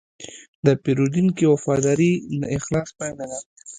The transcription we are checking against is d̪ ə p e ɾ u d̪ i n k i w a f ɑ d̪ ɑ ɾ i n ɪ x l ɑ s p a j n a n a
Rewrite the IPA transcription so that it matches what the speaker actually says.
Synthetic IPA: d̪ ə p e ɾ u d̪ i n k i w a f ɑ d̪ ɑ ɾ i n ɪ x l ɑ s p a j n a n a